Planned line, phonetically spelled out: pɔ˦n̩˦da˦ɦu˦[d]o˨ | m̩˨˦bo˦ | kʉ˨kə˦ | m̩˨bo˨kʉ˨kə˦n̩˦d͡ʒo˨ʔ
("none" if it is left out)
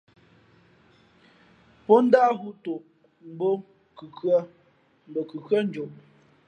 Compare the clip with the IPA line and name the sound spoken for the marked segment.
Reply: t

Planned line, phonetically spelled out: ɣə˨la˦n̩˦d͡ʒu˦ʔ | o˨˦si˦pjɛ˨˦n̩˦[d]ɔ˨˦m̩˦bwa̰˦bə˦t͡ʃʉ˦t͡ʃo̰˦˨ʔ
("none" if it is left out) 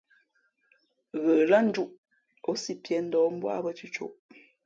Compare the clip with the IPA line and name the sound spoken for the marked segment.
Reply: d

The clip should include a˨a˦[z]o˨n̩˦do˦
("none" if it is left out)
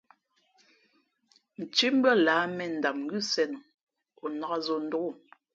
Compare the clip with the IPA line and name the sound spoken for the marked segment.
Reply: z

